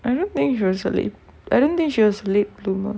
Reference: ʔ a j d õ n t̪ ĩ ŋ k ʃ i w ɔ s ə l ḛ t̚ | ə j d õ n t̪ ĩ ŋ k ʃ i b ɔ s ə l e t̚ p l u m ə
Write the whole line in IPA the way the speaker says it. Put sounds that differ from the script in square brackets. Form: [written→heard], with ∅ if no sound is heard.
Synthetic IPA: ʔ a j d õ n t̪ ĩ ŋ k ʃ i w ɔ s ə l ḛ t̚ | [ə→a] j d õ n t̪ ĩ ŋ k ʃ i [b→w] ɔ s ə l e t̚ [p→b] l u m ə

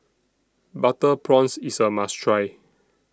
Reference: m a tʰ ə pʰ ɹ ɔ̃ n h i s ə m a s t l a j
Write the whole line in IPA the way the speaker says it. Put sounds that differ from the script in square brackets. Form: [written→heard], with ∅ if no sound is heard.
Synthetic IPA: [m→b] a [tʰ→t] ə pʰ ɹ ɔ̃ n [h→s] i s ə m a s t [l→ɹ] a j

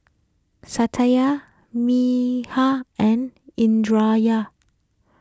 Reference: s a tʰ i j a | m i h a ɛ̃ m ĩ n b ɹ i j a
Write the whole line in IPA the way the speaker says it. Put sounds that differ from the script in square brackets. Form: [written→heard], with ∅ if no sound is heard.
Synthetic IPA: s a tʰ [i→a] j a | m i h a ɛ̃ [m→n] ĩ n [b→d] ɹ [i→a] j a

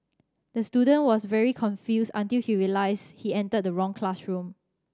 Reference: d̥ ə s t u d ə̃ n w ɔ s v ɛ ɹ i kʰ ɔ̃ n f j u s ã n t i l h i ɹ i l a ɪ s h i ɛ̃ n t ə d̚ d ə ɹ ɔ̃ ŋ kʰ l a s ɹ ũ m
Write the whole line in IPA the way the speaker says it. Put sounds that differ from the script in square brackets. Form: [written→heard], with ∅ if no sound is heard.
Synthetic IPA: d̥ ə s t u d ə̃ n w ɔ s v ɛ ɹ i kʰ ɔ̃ n f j u s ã n t i l h i ɹ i l a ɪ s h i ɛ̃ n t ə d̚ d ə ɹ ɔ̃ ŋ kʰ l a s ɹ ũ m

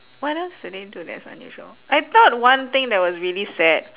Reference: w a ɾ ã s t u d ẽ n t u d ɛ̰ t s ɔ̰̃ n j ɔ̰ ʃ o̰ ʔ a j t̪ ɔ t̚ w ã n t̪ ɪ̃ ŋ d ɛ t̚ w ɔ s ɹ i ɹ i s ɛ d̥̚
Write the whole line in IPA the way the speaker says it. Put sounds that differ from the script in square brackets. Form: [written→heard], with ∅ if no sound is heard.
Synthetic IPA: w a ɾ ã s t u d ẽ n t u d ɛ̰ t s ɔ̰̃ n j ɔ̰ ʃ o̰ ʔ a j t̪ ɔ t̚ w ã n t̪ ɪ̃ ŋ d ɛ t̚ w ɔ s ɹ i [ɹ→l] i s ɛ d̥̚

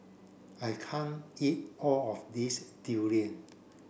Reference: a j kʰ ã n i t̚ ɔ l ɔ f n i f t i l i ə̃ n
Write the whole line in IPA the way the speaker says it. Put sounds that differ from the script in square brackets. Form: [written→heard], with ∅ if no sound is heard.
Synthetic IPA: a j kʰ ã n i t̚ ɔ l ɔ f [n→d] i [f→s] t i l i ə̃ n

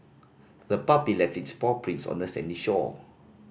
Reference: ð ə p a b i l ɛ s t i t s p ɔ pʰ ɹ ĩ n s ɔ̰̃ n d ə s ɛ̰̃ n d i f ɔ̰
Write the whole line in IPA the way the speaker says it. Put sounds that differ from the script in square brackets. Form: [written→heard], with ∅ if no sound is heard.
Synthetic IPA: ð ə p a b i l ɛ [s→f] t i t s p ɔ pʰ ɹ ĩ n s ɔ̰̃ n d ə s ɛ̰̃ n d i [f→ʃ] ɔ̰

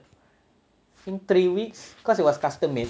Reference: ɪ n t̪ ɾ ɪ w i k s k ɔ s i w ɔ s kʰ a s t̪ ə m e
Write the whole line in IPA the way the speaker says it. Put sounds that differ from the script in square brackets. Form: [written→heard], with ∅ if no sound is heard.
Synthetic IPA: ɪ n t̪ ɾ [ɪ→i] w i k s k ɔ s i w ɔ s [kʰ→k] a s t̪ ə m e

